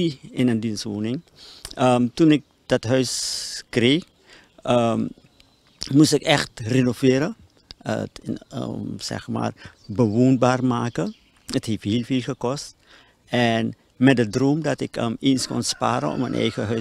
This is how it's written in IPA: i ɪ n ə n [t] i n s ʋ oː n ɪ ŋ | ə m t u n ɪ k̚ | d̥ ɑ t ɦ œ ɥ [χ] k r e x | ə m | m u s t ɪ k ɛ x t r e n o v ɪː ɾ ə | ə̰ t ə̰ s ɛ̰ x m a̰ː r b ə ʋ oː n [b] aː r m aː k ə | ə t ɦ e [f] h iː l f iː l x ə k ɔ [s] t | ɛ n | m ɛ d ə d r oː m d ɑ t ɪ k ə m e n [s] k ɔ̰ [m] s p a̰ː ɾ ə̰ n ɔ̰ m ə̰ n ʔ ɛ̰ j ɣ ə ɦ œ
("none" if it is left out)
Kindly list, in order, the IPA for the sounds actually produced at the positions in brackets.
d, s, b, f, s, s, n

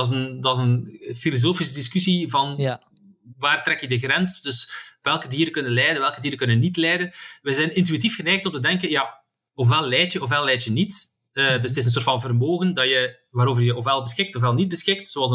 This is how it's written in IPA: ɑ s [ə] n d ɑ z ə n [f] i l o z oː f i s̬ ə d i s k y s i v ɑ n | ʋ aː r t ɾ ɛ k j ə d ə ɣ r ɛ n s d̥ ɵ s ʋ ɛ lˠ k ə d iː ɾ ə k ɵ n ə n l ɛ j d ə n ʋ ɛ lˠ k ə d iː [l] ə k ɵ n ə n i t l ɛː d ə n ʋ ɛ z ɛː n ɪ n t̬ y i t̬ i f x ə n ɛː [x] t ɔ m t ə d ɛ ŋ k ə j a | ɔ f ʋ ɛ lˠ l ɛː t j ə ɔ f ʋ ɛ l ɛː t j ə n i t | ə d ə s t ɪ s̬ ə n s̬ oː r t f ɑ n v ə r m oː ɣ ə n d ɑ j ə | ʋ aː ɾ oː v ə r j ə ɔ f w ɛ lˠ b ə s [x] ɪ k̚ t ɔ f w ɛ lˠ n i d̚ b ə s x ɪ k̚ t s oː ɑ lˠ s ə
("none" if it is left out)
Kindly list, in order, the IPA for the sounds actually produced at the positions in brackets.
ə, f, ɾ, x, x

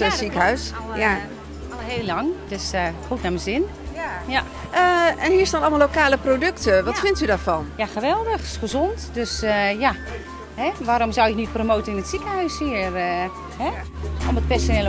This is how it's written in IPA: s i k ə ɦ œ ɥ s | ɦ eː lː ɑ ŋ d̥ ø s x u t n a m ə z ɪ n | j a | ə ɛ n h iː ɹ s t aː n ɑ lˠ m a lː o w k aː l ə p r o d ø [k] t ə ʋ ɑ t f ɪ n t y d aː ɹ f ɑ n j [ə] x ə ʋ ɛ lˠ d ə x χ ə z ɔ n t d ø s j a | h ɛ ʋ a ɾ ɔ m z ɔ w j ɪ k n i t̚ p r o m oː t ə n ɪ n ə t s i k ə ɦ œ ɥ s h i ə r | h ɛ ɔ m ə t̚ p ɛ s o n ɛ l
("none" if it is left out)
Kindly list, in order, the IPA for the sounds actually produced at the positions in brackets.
k, a

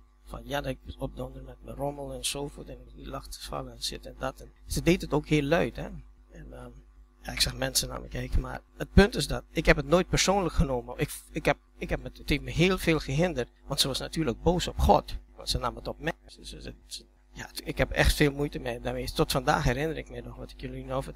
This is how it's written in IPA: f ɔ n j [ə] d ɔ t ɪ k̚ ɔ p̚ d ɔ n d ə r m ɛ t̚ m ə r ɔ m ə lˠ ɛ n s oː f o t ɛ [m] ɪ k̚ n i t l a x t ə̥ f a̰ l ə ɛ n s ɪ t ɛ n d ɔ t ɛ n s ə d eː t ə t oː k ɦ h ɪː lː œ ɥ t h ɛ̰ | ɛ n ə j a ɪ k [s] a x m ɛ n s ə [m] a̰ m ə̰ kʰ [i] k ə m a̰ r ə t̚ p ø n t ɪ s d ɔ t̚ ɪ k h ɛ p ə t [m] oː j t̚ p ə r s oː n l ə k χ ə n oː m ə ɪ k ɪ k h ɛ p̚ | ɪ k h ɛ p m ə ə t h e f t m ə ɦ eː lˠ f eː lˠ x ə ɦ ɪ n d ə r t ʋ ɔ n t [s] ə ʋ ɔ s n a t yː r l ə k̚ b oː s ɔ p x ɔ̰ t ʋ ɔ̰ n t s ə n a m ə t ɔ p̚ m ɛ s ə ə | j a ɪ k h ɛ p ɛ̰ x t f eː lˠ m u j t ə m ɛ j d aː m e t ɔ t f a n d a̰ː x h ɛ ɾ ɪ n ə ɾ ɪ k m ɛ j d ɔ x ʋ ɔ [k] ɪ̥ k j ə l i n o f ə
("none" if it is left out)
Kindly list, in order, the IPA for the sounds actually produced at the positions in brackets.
a, n, s, n, ɛ, n, s, t

